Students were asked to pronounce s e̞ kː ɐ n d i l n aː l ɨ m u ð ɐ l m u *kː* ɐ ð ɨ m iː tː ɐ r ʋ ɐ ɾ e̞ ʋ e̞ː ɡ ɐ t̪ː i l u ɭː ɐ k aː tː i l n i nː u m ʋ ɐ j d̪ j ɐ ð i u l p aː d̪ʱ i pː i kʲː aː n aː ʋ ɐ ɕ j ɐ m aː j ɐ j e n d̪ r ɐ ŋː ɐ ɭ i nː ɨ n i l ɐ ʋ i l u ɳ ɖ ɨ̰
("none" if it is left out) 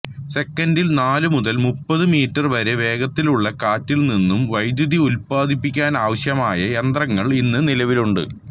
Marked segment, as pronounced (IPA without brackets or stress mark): pː